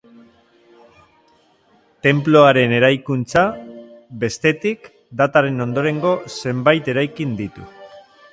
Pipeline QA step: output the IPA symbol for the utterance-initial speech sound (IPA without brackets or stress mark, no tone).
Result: t̪